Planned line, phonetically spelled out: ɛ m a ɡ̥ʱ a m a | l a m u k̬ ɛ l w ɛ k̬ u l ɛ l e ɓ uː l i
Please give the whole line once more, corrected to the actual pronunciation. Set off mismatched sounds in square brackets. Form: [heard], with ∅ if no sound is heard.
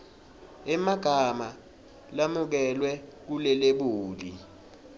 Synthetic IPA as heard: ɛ m a ɡ̥ʱ a m a | l a m u k̬ ɛ l w ɛ k̬ u l ɛ l e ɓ uː l i